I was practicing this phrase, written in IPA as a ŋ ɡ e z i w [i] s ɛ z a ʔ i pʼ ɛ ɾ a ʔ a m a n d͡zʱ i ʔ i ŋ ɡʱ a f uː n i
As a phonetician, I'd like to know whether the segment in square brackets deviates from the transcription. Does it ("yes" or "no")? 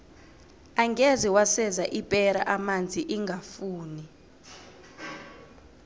yes